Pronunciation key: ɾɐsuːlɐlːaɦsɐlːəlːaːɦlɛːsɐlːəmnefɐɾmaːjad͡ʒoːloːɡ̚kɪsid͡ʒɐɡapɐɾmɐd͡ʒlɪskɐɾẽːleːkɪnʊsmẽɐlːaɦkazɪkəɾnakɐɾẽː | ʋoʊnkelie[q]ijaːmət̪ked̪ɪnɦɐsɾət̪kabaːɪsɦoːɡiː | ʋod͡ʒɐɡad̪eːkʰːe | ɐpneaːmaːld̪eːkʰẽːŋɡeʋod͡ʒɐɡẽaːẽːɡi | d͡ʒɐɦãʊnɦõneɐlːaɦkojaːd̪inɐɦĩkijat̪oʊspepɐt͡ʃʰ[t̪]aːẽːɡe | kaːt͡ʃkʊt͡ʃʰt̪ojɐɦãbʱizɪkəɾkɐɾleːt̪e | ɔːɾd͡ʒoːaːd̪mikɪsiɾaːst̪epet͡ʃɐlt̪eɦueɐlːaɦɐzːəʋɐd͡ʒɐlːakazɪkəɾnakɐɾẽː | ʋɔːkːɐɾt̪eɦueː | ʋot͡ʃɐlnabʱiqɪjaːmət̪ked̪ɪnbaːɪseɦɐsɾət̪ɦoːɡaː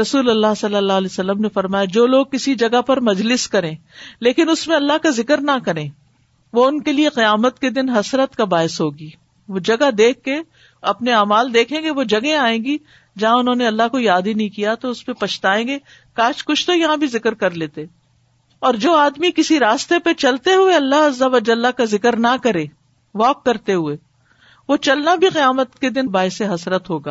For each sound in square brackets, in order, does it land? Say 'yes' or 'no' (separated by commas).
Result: yes, yes